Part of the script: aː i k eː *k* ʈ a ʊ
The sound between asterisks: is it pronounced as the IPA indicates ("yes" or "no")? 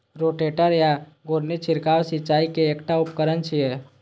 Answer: yes